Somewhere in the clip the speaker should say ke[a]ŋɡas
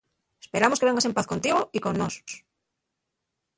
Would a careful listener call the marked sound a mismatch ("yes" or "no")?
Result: yes